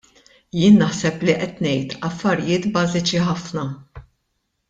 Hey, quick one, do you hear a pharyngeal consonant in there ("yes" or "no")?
yes